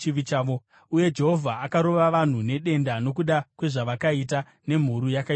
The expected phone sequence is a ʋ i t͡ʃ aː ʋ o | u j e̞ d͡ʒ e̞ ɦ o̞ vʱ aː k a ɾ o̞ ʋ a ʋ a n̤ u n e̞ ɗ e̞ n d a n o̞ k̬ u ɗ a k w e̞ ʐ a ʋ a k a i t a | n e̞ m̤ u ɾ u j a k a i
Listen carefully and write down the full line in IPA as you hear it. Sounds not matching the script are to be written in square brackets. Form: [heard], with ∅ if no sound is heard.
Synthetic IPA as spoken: [i] ʋ i t͡ʃ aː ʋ o | u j e̞ d͡ʒ e̞ ɦ o̞ vʱ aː k a ɾ o̞ ʋ a ʋ a n̤ u n e̞ ɗ e̞ n d a n o̞ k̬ u ɗ a k w e̞ ʐ a ʋ a k a i t a | n e̞ m̤ u ɾ u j a k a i